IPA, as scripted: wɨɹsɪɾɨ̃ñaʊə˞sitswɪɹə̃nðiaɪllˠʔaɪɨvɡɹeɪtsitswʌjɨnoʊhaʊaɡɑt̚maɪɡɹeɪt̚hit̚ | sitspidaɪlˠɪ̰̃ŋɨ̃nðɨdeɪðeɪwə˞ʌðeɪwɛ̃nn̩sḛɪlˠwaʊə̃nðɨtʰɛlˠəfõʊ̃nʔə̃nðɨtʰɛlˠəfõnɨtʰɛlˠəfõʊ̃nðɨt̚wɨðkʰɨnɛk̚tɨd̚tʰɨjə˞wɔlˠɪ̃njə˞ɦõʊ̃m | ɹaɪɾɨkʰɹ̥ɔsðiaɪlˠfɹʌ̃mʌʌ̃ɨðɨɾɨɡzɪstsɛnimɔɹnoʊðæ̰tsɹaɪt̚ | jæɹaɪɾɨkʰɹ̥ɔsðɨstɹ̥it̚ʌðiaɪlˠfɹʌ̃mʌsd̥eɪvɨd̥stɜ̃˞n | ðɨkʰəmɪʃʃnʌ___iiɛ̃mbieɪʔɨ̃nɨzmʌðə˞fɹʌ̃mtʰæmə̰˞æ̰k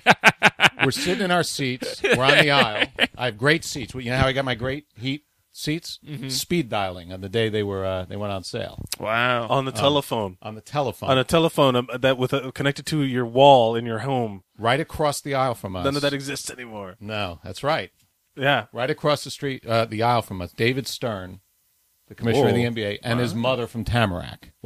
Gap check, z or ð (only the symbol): ð